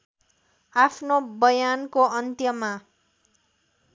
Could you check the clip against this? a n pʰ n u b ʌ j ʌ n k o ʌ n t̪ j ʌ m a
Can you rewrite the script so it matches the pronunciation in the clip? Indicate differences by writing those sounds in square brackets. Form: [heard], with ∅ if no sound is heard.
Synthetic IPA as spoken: a [∅] pʰ n [o] b ʌ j [a] n k o ʌ n t̪ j ʌ m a